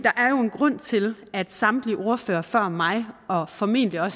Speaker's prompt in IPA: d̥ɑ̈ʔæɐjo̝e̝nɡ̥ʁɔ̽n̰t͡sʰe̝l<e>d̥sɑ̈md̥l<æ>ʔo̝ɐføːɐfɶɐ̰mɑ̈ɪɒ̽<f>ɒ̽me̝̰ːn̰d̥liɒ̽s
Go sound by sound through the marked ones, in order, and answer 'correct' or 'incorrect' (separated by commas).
incorrect, incorrect, correct